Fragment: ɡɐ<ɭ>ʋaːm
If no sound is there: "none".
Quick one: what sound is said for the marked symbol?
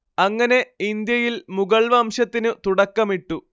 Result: ɭ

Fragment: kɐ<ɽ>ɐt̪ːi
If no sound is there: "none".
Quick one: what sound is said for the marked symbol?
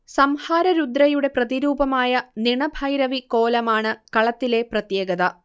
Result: ɭ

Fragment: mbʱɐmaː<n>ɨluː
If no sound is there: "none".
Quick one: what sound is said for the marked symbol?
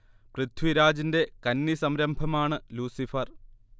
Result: ɳ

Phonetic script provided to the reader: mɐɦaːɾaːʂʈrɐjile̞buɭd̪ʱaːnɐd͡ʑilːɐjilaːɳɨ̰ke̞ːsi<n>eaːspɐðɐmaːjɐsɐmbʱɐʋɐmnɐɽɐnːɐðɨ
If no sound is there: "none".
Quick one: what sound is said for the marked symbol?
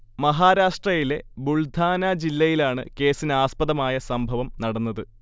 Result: n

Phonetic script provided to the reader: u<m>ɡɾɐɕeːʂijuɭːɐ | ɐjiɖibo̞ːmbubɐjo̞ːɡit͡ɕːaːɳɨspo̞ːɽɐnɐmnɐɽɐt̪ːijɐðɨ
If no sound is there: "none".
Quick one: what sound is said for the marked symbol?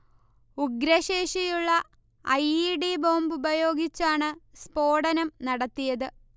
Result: none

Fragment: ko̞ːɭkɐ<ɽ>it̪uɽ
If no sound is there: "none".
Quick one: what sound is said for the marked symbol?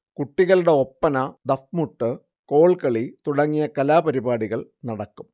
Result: ɭ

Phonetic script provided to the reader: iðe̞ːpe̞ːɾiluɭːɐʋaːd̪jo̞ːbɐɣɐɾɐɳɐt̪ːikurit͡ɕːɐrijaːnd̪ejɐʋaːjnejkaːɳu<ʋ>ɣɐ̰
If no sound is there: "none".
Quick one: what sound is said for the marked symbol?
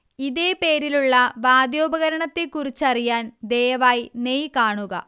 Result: none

